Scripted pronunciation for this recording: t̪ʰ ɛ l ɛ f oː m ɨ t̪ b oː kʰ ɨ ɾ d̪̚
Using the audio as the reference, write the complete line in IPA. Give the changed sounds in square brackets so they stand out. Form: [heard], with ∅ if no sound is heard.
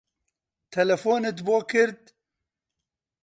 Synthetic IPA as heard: t̪ʰ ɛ l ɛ f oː [n] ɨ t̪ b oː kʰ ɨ ɾ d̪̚